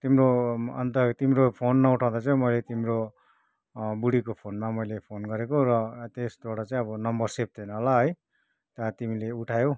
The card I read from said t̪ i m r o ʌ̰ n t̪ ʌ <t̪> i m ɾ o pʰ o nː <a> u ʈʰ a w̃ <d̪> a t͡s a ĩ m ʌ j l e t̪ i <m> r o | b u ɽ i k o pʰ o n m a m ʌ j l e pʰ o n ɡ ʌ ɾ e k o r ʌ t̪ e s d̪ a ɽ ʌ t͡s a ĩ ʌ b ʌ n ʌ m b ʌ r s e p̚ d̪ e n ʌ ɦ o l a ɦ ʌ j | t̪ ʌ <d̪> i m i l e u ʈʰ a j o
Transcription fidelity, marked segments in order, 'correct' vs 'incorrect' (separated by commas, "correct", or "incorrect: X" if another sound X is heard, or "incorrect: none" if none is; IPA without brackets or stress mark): correct, incorrect: ʌ, correct, correct, incorrect: t̪